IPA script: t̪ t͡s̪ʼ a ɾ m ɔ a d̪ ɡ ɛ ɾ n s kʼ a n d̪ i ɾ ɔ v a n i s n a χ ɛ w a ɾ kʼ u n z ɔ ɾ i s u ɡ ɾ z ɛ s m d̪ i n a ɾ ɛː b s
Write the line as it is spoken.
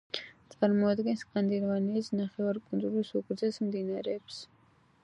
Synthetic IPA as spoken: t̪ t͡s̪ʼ a ɾ m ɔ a d̪ ɡ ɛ n s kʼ a n d̪ i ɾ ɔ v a n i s n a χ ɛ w a ɾ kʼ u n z u ɾ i s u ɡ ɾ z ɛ s m d̪ i n a ɾ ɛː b s